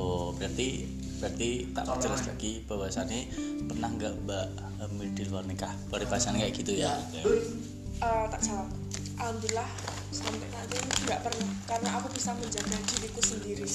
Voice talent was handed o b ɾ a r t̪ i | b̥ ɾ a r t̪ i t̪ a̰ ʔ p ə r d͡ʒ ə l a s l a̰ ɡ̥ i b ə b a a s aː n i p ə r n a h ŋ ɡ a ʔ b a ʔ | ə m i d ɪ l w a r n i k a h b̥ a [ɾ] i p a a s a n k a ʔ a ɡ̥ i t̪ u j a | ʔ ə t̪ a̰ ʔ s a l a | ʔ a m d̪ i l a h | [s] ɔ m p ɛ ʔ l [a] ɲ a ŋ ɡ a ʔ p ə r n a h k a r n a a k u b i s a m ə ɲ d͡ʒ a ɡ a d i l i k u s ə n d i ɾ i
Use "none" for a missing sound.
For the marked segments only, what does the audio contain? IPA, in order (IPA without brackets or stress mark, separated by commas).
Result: ɾ, s, a